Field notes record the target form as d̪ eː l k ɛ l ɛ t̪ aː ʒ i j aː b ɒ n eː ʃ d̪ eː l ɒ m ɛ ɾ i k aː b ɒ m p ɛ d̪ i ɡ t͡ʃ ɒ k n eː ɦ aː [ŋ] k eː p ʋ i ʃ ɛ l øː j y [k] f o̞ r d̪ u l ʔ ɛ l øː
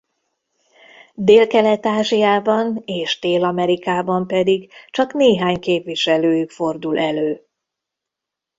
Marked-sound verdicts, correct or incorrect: incorrect: ɲ, correct

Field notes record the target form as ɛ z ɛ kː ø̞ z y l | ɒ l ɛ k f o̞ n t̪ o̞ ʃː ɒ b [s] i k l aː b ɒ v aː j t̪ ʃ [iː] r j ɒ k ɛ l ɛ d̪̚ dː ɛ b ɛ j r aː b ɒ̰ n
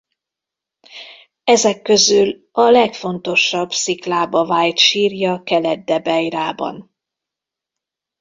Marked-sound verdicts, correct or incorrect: correct, correct

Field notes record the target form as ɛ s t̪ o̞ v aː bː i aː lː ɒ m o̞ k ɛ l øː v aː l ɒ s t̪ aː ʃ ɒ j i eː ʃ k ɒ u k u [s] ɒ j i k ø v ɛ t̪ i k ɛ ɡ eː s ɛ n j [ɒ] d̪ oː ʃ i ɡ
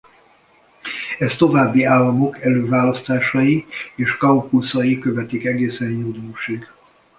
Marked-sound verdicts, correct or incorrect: correct, incorrect: u

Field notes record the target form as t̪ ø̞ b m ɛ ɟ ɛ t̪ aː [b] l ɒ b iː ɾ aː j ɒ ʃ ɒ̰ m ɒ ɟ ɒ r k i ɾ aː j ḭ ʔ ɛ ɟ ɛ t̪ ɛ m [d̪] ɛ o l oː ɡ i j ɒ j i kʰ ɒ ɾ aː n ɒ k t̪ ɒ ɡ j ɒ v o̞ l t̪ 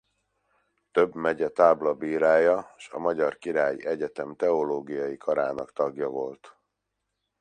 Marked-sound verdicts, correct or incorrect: correct, incorrect: t̪

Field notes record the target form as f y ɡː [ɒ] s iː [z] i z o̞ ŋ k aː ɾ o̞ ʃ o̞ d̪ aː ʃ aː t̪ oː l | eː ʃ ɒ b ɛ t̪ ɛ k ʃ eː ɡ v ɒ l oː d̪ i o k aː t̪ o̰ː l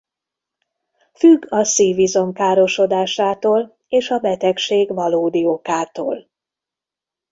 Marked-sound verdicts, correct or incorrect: correct, incorrect: v

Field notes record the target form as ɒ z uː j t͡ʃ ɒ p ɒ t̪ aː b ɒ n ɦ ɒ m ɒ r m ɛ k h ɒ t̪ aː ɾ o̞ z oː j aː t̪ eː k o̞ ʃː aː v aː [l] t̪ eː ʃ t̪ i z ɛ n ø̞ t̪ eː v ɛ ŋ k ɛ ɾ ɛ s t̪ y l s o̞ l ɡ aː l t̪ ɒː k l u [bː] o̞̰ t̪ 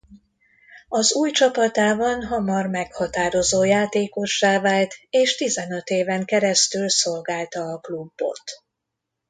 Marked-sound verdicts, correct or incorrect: correct, correct

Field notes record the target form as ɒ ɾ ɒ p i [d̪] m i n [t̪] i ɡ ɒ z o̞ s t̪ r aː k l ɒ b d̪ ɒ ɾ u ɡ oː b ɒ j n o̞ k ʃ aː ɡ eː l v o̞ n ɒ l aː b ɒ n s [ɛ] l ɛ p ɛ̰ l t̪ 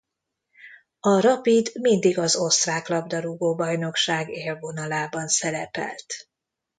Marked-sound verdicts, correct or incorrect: correct, incorrect: d̪, correct

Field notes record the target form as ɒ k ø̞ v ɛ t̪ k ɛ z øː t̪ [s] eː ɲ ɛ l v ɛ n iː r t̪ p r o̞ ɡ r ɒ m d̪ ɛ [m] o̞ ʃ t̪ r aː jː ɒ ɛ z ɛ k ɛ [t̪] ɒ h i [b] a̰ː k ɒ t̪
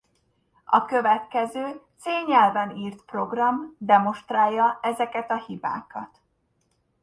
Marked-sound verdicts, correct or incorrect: correct, correct, correct, correct

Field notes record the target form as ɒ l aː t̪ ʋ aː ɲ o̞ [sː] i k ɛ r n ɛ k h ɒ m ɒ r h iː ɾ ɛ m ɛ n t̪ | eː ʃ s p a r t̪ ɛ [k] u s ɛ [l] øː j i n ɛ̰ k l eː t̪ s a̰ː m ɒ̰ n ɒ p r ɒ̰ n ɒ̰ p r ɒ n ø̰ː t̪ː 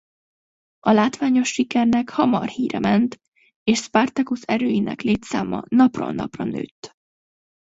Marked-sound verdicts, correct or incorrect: incorrect: ʃː, correct, incorrect: ɾ

